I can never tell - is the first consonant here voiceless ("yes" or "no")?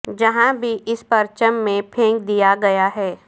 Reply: no